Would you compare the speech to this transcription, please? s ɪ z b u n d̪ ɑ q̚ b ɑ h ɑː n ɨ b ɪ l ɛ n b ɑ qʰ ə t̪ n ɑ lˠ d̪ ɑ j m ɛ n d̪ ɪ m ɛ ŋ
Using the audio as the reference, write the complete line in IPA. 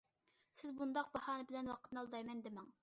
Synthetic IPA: s ɪ z b u n d̪ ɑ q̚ b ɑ h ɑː n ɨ b ɪ l ɛ n w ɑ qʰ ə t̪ n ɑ lˠ d̪ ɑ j m ɛ n d̪ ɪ m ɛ ŋ

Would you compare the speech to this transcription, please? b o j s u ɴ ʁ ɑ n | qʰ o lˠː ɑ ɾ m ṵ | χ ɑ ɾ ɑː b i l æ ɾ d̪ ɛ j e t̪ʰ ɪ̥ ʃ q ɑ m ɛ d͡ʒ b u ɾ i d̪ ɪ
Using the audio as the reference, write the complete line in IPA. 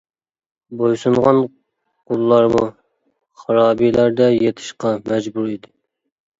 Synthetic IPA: b o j s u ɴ ʁ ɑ n | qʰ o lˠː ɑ ɾ m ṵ | χ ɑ ɾ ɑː b i l æ ɾ d̪ ɛ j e t̪ʰ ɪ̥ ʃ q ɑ m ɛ d͡ʒ b u ɾ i d̪ ɪ

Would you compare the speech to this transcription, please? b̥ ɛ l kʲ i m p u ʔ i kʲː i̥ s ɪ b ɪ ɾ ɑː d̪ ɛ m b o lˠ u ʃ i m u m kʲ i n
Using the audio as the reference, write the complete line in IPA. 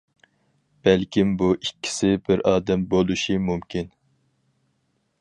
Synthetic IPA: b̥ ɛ l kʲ i m b u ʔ i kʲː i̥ s ɪ b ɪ ɾ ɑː d̪ ɛ m b o lˠ u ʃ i m u m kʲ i n

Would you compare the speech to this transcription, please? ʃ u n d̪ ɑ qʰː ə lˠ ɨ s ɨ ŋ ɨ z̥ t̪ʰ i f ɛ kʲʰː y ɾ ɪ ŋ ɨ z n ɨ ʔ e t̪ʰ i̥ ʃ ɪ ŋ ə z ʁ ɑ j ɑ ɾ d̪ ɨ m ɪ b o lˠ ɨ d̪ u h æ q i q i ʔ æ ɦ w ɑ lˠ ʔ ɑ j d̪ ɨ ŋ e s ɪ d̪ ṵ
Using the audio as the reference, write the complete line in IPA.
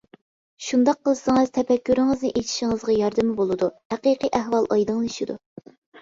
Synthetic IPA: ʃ u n d̪ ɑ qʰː ə lˠ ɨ s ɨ ŋ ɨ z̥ t̪ʰ ɛ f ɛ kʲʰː y ɾ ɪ ŋ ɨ z n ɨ ʔ e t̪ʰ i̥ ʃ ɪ ŋ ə z ʁ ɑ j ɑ ɾ d̪ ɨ m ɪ b o lˠ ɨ d̪ u h æ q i q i ʔ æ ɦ w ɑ lˠ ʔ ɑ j d̪ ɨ ŋ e ʃ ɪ d̪ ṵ

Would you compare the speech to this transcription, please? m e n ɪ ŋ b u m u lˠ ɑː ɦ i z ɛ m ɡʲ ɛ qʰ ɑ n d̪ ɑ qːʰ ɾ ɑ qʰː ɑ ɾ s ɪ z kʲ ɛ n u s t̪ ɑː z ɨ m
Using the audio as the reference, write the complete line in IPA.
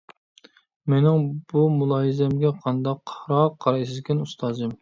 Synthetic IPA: m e n ɪ ŋ b u m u lˠ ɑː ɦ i z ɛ m ɡʲ ɛ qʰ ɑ n d̪ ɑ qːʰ ɾ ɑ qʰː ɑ ɾ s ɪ z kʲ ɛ n u s t̪ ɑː z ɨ m

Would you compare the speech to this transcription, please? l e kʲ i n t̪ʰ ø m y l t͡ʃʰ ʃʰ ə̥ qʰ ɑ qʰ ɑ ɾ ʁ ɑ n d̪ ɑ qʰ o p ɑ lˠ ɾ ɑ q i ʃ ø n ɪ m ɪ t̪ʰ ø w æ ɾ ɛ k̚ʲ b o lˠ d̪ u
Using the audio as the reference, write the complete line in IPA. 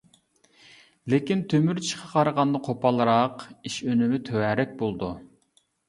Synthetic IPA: l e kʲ i n t̪ʰ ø m y ɾ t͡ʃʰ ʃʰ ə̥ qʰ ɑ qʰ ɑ ɾ ʁ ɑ n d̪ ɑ qʰ o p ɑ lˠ ɾ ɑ q i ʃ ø n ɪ m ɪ t̪ʰ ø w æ ɾ ɛ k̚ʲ b o lˠ d̪ u

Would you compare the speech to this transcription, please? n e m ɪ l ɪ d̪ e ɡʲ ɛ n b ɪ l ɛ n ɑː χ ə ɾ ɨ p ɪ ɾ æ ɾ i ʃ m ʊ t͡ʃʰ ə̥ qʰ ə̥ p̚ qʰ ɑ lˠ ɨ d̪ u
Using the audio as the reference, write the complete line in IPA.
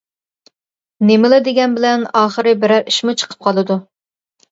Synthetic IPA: n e m ɪ l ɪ d̪ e ɡʲ ɛ n b ɪ l ɛ n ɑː χ ə ɾ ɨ b ɪ ɾ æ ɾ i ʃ m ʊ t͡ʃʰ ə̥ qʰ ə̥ p̚ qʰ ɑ lˠ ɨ d̪ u

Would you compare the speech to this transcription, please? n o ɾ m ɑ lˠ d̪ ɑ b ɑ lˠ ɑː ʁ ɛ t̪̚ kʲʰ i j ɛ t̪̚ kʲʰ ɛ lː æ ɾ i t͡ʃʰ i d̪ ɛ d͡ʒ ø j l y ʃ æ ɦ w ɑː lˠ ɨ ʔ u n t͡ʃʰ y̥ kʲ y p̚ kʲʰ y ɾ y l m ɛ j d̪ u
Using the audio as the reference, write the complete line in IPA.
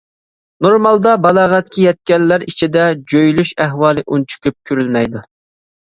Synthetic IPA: n o ɾ m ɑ lˠ d̪ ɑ b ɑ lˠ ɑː ʁ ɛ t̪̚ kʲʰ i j ɛ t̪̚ kʲ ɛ lː æ ɾ i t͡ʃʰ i d̪ ɛ d͡ʒ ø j l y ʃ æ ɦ w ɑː lˠ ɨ ʔ u n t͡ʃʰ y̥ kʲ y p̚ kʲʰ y ɾ y l m ɛ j d̪ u

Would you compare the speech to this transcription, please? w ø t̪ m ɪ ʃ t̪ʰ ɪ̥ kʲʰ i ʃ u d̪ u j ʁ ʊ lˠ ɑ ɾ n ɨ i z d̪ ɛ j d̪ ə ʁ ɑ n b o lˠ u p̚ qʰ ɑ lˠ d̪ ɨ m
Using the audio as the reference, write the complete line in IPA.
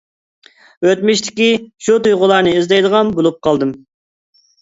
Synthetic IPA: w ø t̪ m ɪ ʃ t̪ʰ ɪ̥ kʲ i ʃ u t̪ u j ʁ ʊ lˠ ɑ ɾ n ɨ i z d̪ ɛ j d̪ ə ʁ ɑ n b o lˠ u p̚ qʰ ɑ lˠ d̪ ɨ m

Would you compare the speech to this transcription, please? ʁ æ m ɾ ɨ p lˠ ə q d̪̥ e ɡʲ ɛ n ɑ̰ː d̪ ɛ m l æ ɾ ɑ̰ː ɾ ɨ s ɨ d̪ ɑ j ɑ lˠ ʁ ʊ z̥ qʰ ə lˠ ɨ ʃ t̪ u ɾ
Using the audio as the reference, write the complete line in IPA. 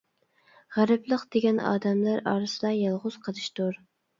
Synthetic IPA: ʁ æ ɾ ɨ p lˠ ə q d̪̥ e ɡʲ ɛ n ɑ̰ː d̪ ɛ m l æ ɾ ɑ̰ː ɾ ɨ s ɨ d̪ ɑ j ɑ lˠ ʁ ʊ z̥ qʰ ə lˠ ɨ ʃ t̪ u ɾ

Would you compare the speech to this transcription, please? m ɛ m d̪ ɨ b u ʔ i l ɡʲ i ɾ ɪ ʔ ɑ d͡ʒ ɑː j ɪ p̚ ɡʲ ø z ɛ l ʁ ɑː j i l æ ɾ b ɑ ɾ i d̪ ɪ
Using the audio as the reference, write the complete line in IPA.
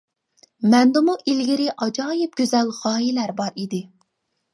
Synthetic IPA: m ɛ n d̪ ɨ m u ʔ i l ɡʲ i ɾ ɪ ʔ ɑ d͡ʒ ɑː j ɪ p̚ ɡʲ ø z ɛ l ʁ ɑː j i l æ ɾ b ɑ ɾ i d̪ ɪ

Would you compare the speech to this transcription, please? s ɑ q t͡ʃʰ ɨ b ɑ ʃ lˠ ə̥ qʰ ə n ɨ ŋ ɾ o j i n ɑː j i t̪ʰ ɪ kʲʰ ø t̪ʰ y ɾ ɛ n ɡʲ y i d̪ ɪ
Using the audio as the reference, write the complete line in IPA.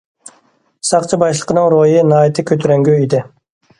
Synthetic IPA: s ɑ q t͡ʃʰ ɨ b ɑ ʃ lˠ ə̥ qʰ ə n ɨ ŋ ɾ o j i n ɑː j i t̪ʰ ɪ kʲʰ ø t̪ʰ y ɾ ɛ ŋ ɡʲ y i d̪ ɪ

